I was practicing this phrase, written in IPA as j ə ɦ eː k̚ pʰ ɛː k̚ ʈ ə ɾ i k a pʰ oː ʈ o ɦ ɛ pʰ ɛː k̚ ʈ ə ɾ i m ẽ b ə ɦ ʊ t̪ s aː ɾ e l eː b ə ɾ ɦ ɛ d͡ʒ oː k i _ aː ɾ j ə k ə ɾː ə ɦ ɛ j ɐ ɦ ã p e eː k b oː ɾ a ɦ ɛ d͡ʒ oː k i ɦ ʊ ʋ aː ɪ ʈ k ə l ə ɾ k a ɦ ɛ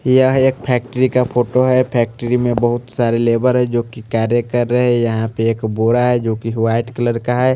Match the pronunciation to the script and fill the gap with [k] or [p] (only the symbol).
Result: k